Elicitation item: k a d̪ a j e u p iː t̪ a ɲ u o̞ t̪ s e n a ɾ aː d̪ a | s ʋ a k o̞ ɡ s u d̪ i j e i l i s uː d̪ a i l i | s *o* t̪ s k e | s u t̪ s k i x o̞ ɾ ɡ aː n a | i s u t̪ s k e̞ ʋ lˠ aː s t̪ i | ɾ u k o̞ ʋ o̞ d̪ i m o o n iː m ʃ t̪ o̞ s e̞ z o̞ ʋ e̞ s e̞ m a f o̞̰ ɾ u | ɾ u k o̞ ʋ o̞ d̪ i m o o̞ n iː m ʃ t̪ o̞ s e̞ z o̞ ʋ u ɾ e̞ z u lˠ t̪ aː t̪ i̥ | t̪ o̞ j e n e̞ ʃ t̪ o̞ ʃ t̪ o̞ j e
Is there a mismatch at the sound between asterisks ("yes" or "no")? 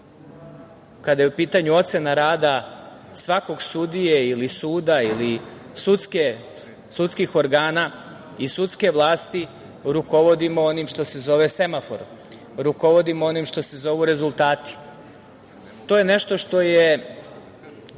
yes